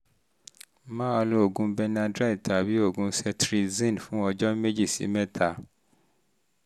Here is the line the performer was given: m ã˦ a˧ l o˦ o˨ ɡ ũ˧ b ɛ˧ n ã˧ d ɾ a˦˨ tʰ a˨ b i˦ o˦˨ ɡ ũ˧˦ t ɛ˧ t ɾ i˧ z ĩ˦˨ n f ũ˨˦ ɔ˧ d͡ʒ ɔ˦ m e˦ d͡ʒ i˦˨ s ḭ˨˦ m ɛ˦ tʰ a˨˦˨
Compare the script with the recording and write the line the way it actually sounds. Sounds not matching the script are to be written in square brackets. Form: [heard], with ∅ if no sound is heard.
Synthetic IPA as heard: m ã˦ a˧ l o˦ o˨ ɡ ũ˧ b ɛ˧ n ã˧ d ɾ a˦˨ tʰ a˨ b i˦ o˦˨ ɡ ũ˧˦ [s] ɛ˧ t ɾ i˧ z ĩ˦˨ n f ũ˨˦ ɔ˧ d͡ʒ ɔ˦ m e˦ d͡ʒ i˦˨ s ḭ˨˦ m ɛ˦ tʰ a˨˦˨